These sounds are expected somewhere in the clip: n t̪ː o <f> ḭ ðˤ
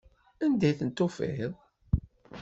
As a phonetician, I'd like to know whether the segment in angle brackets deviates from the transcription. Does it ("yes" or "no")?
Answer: no